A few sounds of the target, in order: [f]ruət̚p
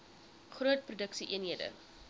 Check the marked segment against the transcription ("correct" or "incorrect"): incorrect